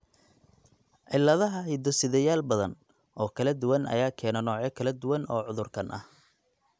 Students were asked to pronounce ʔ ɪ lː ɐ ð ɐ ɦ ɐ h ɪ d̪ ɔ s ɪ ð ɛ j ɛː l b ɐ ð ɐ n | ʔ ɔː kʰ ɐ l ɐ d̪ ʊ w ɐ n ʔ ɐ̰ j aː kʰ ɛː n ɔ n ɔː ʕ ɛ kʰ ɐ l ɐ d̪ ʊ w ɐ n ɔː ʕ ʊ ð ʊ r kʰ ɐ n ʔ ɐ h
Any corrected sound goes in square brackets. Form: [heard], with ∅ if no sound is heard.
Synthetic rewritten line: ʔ ɪ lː ɐ ð ɐ ɦ ɐ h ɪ d̪ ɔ s ɪ ð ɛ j [aː] l b ɐ ð ɐ n | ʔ ɔː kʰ ɐ l ɐ d̪ ʊ w ɐ n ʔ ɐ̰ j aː kʰ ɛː n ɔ n ɔː ʕ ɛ kʰ ɐ l ɐ d̪ ʊ w ɐ n ɔː ʕ ʊ ð ʊ r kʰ ɐ n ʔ ɐ h

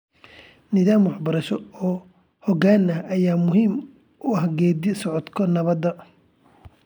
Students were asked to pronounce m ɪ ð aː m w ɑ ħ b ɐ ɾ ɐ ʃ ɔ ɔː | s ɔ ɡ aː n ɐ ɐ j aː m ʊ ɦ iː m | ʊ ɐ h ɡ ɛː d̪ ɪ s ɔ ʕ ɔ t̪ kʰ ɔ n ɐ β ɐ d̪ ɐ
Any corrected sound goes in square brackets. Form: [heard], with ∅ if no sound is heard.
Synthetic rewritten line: [n] ɪ ð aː m w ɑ ħ b ɐ ɾ ɐ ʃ ɔ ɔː | [h] ɔ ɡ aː n ɐ ɐ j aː m ʊ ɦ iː m | ʊ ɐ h ɡ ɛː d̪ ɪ s ɔ ʕ ɔ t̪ kʰ ɔ n ɐ β ɐ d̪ ɐ

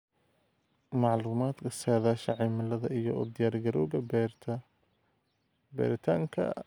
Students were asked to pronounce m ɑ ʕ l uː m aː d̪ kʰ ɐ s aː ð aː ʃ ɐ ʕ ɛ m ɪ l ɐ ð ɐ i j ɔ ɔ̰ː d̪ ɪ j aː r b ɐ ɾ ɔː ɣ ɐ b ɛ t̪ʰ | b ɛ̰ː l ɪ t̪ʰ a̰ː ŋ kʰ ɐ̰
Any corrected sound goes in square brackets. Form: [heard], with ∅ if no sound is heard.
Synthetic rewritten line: m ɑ ʕ l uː m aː d̪ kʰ ɐ s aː ð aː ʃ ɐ ʕ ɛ m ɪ l ɐ ð ɐ i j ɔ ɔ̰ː d̪ ɪ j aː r [ɡ] ɐ ɾ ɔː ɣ ɐ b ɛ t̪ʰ | b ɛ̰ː [ɾ] ɪ t̪ʰ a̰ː ŋ kʰ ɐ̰

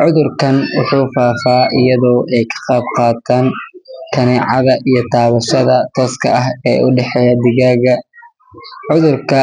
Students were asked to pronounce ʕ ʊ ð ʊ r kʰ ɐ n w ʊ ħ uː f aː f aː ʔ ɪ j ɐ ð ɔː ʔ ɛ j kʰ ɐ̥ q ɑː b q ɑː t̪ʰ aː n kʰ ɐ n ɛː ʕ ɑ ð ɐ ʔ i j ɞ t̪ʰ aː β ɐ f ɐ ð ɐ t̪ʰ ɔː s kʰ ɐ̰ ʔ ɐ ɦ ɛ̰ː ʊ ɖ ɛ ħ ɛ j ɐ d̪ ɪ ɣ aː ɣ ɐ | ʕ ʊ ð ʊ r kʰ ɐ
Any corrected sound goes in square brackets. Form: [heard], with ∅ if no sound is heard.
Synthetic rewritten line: ʕ ʊ ð ʊ r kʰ ɐ n w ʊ ħ uː f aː f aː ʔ ɪ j ɐ ð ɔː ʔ ɛ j kʰ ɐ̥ q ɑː b q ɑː t̪ʰ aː n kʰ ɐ n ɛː ʕ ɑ ð ɐ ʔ i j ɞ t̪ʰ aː β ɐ [ʃ] ɐ ð ɐ t̪ʰ ɔː s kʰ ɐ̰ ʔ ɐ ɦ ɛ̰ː ʊ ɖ ɛ ħ ɛ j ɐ d̪ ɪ ɣ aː ɣ ɐ | ʕ ʊ ð ʊ r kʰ ɐ

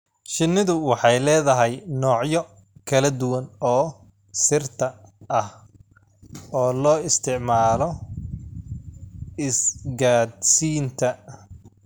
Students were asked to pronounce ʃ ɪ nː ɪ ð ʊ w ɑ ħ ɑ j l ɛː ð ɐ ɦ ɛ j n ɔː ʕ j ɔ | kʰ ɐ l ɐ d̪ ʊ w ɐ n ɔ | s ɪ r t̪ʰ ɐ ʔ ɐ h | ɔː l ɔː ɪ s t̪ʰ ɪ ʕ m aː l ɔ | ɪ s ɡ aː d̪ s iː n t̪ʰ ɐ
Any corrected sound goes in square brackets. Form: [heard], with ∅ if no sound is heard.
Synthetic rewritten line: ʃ ɪ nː ɪ ð ʊ w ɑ ħ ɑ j l ɛː ð ɐ ɦ ɛ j n ɔː ʕ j ɔ | kʰ ɐ l ɐ d̪ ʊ w ɐ n [ɔː] | s ɪ r t̪ʰ ɐ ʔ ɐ h | ɔː l ɔː ɪ s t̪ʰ ɪ ʕ m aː l ɔ | ɪ s ɡ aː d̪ s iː n t̪ʰ ɐ

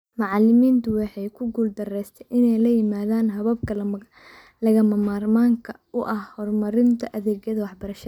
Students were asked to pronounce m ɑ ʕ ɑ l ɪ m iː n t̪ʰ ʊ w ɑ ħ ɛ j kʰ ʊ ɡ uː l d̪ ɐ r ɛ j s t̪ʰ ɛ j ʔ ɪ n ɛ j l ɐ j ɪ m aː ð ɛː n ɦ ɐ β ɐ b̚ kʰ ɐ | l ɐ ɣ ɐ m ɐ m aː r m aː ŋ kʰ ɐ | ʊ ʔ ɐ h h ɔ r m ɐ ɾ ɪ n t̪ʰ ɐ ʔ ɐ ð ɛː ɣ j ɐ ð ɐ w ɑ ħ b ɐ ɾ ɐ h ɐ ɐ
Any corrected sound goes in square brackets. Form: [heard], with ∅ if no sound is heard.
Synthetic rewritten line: m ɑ ʕ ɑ l ɪ m iː n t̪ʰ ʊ w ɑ ħ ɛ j kʰ ʊ ɡ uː l d̪ ɐ r ɛ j s t̪ʰ ɛ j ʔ ɪ n ɛ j l ɐ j ɪ m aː ð [aː] n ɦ ɐ β ɐ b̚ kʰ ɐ | l ɐ ɣ ɐ m ɐ m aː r m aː ŋ kʰ ɐ | ʊ ʔ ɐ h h ɔ r m ɐ ɾ ɪ n t̪ʰ ɐ ʔ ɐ ð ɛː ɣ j ɐ ð ɐ w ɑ ħ b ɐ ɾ ɐ [ʃ] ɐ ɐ

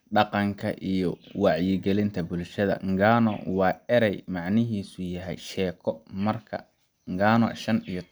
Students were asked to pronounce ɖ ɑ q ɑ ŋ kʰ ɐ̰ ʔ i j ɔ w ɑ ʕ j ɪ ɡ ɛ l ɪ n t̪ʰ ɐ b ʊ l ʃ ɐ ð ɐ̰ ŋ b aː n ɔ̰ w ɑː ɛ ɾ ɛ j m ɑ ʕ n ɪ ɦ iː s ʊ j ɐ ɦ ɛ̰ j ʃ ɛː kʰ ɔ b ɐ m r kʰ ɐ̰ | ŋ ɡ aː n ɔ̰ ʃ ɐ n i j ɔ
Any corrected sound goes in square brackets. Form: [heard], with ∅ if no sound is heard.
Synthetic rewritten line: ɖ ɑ q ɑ ŋ kʰ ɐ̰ ʔ i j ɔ w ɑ ʕ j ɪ ɡ ɛ l ɪ n t̪ʰ ɐ b ʊ l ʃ ɐ ð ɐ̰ ŋ [ɡ] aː n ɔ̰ w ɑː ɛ ɾ ɛ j m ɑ ʕ n ɪ ɦ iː s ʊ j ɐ ɦ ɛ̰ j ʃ ɛː kʰ ɔ [m] ɐ [∅] r kʰ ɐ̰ | ŋ ɡ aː n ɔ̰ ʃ ɐ n i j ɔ

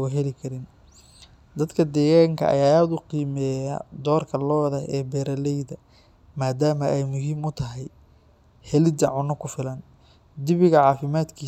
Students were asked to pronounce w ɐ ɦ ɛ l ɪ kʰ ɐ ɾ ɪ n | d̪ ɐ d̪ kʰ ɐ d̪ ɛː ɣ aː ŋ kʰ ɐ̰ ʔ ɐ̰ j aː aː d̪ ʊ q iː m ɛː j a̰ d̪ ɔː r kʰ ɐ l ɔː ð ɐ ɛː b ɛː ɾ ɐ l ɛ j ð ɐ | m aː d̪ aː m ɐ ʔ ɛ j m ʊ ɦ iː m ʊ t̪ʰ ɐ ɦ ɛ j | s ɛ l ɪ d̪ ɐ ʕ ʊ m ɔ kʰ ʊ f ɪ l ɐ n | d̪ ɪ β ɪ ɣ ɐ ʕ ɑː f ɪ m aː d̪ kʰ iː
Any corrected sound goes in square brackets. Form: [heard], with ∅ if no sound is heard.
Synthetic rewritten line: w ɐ ɦ ɛ l ɪ kʰ ɐ ɾ ɪ n | d̪ ɐ d̪ kʰ ɐ d̪ ɛː ɣ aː ŋ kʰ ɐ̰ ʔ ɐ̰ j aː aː d̪ ʊ q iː m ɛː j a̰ d̪ ɔː r kʰ ɐ l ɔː ð ɐ ɛː b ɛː ɾ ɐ l ɛ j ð ɐ | m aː d̪ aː m ɐ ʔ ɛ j m ʊ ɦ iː m ʊ t̪ʰ ɐ ɦ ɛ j | [h] ɛ l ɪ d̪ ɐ ʕ ʊ [n] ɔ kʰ ʊ f ɪ l ɐ n | d̪ ɪ β ɪ ɣ ɐ ʕ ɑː f ɪ m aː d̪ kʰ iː

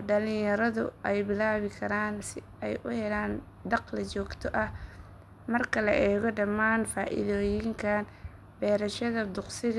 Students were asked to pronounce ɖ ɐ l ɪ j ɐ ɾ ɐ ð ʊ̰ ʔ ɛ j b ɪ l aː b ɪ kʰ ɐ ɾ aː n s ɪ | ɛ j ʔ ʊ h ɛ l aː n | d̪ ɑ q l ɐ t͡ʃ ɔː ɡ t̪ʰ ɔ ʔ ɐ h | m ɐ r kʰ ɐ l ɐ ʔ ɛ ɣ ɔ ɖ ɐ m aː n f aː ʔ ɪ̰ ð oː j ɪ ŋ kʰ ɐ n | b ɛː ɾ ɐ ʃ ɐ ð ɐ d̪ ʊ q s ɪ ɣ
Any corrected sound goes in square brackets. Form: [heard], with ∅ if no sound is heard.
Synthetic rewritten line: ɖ ɐ l ɪ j ɐ ɾ ɐ ð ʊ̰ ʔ ɛ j b ɪ l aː [β] ɪ kʰ ɐ ɾ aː n s ɪ | ɛ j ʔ ʊ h ɛ l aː n | d̪ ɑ q l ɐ t͡ʃ ɔː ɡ t̪ʰ ɔ ʔ ɐ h | m ɐ r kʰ ɐ l ɐ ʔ [ɛː] ɣ ɔ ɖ ɐ m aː n f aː ʔ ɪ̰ ð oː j ɪ ŋ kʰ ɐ n | b ɛː ɾ ɐ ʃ ɐ ð ɐ d̪ ʊ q s ɪ ɣ

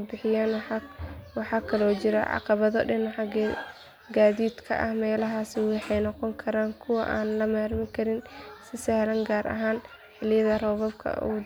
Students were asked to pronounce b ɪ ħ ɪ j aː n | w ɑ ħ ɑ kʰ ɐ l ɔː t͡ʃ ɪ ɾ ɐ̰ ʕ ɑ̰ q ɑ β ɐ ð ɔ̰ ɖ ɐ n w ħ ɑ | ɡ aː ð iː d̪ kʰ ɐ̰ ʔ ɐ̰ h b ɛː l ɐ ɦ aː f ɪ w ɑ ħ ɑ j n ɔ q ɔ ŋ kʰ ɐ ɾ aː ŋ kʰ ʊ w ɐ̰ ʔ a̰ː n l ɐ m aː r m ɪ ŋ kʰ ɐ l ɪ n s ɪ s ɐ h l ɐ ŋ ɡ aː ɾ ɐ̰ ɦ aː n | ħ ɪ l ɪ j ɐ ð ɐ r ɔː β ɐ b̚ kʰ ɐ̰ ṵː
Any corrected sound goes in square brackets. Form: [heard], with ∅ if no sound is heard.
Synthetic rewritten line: b ɪ ħ ɪ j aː n | w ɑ ħ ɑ kʰ ɐ l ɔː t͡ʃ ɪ ɾ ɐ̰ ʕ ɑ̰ q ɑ β ɐ ð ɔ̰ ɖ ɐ n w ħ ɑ | ɡ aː ð iː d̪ kʰ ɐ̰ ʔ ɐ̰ h [m] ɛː l ɐ ɦ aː [s] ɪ w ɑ ħ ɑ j n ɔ q ɔ ŋ kʰ ɐ ɾ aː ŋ kʰ ʊ w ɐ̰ ʔ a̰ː n l ɐ m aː r m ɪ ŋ kʰ ɐ [ɾ] ɪ n s ɪ s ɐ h l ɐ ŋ ɡ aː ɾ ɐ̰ ɦ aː n | ħ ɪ l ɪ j ɐ ð ɐ r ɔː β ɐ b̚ kʰ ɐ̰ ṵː

